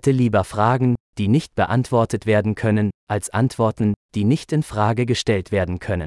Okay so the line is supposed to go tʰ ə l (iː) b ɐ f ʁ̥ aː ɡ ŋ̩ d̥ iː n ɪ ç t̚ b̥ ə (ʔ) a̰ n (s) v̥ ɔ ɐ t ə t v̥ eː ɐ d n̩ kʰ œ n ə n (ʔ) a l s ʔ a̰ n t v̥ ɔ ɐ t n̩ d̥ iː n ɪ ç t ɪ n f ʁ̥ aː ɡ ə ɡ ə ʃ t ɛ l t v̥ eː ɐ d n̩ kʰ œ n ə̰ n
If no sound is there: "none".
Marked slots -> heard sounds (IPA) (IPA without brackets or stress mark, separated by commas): iː, ʔ, t, ʔ